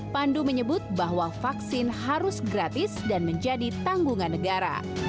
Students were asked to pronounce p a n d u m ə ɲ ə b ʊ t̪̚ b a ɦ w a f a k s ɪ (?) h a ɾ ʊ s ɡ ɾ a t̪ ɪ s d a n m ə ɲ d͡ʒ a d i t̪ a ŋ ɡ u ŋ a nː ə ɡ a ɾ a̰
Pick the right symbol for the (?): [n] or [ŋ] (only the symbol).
n